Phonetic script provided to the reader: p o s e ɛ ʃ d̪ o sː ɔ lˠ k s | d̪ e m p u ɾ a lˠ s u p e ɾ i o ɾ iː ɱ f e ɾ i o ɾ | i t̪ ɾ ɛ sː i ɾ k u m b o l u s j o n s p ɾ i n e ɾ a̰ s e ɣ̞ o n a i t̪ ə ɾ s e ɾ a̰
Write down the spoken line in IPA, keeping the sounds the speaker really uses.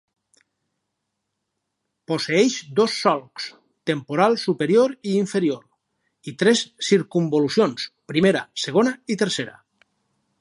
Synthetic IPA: p o s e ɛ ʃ d̪ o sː ɔ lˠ k s | t̪ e m p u ɾ a lˠ s u p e ɾ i o ɾ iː ɱ f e ɾ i o ɾ | i t̪ ɾ ɛ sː i ɾ k u m b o l u s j o n s p ɾ i m e ɾ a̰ s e ɣ̞ o n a i t̪ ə ɾ s e ɾ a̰